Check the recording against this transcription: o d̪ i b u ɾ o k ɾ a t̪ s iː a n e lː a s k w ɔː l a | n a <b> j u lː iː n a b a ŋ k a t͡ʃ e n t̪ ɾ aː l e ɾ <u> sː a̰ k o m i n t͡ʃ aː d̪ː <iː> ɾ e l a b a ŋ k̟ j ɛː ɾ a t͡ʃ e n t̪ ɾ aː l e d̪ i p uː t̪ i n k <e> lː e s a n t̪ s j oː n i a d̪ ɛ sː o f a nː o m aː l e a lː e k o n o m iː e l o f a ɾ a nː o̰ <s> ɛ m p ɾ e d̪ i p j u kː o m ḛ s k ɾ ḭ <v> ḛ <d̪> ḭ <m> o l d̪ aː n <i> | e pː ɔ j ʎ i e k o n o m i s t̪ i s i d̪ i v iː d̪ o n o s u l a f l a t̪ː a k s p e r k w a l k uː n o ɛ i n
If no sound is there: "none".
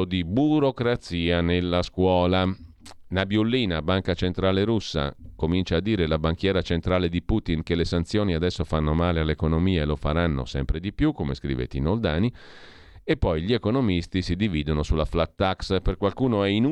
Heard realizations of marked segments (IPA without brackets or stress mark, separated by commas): b, u, iː, e, s, v, t̪, n, i